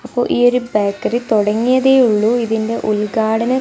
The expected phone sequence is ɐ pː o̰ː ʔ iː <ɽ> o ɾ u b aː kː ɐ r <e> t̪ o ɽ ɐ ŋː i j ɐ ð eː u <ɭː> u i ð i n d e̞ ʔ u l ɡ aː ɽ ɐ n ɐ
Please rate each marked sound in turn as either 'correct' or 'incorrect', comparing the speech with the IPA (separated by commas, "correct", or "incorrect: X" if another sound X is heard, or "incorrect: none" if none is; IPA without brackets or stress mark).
incorrect: none, incorrect: i, correct